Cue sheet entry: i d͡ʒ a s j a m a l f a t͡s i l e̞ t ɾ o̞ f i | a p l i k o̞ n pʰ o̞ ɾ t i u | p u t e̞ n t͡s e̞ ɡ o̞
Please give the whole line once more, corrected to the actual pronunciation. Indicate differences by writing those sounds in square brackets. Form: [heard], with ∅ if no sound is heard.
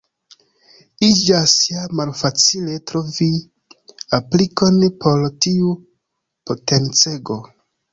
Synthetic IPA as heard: i d͡ʒ a s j a m a l f a t͡s i l e̞ t ɾ o̞ [v] i | a p l i k o̞ n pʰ o̞ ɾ t i u | p [o] t e̞ n t͡s e̞ ɡ o̞